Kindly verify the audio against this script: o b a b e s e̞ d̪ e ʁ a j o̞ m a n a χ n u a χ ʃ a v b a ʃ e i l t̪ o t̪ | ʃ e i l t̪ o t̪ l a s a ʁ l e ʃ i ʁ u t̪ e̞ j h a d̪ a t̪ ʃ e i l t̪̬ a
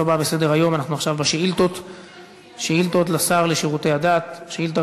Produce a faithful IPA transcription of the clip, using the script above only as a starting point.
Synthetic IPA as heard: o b a b e s e̞ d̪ e ʁ a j o̞ m a n a χ n u a χ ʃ a v b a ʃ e i l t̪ o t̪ | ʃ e i l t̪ o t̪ l a s a ʁ l e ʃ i ʁ u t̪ e̞ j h a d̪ a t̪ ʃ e i l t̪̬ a